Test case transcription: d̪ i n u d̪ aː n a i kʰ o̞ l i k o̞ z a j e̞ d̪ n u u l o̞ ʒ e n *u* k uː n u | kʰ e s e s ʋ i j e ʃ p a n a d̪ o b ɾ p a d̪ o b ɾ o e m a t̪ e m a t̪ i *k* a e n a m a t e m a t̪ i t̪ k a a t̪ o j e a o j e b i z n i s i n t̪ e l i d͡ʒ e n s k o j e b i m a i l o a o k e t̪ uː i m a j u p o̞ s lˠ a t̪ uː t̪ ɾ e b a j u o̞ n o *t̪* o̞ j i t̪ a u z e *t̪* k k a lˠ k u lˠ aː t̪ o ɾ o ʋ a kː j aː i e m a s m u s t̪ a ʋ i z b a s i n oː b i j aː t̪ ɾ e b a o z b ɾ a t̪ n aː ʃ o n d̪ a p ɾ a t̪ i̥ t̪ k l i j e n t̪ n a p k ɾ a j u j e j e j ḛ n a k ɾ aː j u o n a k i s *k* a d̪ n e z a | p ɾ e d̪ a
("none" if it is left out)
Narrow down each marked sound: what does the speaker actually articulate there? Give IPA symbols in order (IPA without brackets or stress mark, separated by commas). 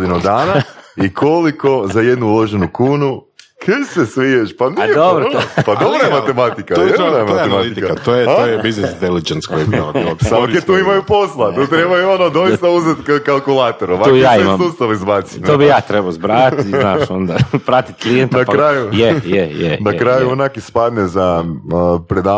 u, k, d̪, t̪, p